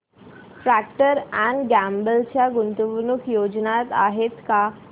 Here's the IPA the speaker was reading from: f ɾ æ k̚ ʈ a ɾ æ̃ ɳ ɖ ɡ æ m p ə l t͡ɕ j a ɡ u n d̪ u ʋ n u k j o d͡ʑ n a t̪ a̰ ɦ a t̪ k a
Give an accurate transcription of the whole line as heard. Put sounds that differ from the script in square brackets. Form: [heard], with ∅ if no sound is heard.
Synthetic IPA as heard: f ɾ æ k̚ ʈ [ə] ɾ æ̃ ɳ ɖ ɡ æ m [b] ə l t͡ɕ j a ɡ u n [t̪] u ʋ n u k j o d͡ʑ n a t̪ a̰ ɦ [e] t̪ k a